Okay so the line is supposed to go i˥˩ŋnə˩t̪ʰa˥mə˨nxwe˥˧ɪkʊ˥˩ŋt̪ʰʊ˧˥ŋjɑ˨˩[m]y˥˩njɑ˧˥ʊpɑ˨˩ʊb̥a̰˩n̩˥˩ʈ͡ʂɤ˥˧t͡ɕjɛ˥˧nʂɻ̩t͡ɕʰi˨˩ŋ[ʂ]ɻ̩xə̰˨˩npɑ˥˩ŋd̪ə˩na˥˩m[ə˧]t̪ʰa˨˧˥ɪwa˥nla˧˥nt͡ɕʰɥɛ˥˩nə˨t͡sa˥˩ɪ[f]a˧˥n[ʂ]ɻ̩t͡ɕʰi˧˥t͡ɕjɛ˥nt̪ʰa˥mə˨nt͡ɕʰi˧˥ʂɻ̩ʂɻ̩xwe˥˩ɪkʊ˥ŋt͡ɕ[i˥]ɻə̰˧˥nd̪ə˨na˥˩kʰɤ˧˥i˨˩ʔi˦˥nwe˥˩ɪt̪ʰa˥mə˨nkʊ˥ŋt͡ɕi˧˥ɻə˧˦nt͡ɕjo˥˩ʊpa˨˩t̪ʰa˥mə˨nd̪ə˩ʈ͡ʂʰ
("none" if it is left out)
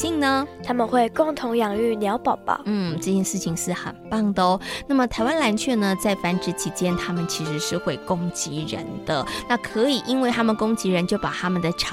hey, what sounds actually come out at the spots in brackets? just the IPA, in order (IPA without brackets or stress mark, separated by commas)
ŋ, ʂ, ə˨˩, f, ʈ͡ʂ, i˧˥